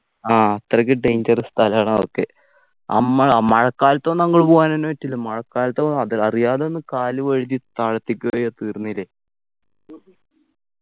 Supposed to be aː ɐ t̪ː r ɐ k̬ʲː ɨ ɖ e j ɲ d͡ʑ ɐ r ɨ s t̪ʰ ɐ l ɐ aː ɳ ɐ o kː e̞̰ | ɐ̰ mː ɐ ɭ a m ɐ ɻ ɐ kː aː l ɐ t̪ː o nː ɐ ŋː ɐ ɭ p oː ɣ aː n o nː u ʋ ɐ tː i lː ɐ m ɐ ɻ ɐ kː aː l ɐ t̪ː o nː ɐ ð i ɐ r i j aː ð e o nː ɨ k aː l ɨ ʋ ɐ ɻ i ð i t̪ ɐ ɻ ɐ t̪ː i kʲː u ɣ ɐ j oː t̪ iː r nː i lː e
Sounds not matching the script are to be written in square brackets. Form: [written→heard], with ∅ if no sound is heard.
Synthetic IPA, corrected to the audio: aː ɐ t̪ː r ɐ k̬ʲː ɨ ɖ e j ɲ d͡ʑ ɐ r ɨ s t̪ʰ ɐ l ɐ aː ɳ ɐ o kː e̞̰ | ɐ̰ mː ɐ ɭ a m ɐ ɻ ɐ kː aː l ɐ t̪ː o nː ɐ ŋː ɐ ɭ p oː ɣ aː n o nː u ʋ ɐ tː i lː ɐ m ɐ ɻ ɐ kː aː l ɐ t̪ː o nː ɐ ð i ɐ r i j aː ð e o nː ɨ k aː l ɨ ʋ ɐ ɻ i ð i t̪ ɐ ɻ ɐ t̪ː i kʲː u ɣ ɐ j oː t̪ iː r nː i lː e